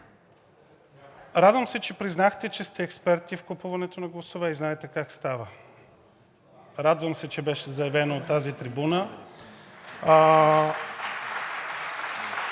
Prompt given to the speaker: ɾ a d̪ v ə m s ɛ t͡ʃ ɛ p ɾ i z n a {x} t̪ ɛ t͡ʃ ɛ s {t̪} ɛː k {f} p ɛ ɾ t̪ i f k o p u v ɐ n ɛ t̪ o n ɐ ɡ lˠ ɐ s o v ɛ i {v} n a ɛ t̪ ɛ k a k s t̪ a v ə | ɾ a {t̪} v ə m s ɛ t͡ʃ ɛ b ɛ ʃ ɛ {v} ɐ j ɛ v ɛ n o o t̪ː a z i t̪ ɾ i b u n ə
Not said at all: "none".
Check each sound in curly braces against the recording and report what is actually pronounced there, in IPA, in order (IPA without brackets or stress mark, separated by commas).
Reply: x, t̪, s, z, d̪, z